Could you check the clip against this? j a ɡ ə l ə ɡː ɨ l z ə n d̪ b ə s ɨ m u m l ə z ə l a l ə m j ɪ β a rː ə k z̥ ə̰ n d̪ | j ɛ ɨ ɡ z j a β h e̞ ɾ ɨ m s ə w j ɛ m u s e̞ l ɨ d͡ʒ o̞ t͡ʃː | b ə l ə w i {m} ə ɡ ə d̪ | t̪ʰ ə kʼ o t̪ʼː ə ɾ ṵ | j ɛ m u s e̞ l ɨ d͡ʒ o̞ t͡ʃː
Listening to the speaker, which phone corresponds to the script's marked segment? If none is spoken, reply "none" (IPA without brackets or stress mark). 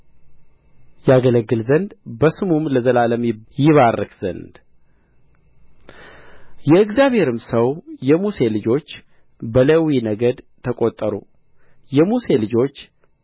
n